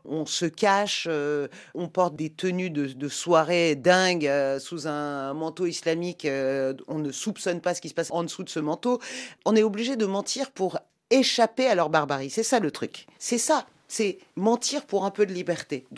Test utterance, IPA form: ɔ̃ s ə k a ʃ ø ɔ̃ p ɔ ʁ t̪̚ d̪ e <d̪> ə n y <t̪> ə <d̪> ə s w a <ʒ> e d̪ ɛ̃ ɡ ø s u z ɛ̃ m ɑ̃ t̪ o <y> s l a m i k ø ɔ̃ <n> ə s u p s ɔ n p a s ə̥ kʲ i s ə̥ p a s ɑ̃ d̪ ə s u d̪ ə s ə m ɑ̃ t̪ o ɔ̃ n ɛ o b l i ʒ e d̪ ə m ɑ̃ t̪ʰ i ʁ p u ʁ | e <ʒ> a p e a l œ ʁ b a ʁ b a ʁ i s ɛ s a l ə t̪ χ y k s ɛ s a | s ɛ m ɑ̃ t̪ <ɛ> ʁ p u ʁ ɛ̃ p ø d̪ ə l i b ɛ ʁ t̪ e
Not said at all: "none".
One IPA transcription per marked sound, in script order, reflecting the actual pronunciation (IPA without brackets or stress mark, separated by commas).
t̪, d̪, d̪, ʁ, i, n, ʃ, i